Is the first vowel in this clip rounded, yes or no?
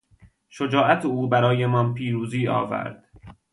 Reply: yes